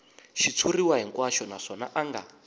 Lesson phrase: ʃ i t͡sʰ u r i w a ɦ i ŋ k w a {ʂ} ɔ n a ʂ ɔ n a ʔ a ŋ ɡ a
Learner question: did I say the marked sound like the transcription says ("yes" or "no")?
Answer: no